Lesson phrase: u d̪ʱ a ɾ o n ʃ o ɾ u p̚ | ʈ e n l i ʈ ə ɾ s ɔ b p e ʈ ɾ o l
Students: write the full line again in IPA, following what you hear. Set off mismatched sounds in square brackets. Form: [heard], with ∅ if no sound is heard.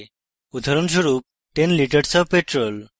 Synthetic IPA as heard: u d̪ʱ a ɾ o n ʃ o ɾ u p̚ | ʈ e n l i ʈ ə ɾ s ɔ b p e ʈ ɾ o l